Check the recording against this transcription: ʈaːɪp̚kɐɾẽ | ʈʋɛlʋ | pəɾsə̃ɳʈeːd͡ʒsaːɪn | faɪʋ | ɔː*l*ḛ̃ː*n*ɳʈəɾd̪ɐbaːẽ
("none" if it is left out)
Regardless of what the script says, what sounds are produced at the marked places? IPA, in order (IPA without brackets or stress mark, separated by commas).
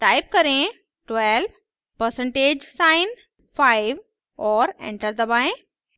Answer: ɾ, none